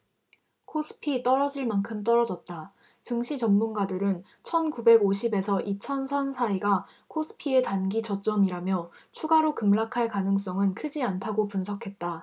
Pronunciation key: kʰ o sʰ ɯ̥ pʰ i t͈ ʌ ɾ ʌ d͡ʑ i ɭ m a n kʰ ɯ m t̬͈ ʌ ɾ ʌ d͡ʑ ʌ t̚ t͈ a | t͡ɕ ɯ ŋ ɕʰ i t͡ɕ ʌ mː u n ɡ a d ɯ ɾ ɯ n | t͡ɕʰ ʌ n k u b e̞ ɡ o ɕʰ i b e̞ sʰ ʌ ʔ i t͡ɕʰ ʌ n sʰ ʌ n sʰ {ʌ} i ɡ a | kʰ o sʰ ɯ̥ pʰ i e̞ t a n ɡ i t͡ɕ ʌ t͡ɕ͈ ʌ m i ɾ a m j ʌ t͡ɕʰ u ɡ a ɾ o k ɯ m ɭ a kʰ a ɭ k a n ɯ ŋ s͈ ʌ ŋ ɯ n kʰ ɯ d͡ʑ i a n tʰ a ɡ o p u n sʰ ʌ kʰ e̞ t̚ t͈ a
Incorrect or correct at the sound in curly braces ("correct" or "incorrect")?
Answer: incorrect